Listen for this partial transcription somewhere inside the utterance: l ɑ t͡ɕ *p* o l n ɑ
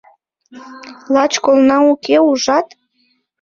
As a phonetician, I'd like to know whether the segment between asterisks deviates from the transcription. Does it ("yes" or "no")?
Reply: yes